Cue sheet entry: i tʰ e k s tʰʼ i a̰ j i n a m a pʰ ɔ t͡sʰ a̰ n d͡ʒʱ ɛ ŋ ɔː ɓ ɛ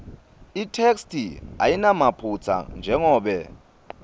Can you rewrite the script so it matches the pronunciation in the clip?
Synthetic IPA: i tʰ e k s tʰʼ i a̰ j i n a m a pʰ u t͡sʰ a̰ n d͡ʒʱ ɛ ŋ ɔː ɓ ɛ